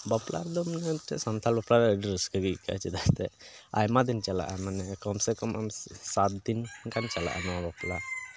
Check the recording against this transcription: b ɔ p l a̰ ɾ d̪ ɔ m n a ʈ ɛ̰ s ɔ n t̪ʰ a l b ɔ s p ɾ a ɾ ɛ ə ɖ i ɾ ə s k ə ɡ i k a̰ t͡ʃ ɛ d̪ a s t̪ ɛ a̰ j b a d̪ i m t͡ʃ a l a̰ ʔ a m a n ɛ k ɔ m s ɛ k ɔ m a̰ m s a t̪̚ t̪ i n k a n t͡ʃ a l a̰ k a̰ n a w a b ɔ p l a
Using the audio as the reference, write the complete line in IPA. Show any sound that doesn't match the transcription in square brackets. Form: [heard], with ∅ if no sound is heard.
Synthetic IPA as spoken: b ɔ p l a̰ ɾ d̪ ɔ m n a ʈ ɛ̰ s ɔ n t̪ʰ a l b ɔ [∅] p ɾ a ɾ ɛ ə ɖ i ɾ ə s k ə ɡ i k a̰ t͡ʃ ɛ d̪ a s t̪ ɛ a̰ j [m] a d̪ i [n] t͡ʃ a l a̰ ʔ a m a n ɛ k ɔ m s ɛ k ɔ m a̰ m s a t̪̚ [d̪] i n k a n t͡ʃ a l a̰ [ʔ] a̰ n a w a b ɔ p l a